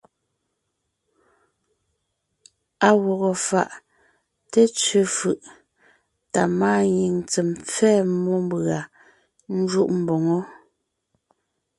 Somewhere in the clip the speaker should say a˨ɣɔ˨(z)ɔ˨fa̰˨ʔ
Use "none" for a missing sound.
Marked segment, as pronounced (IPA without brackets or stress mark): ɣ